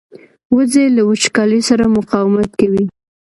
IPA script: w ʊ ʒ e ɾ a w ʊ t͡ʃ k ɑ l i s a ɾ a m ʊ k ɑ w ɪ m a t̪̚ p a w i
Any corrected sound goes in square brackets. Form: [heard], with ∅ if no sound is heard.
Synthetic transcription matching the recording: w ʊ [z] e [l] a w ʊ t͡ʃ k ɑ l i s a ɾ a m ʊ [q] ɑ w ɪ m a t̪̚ [k] a w i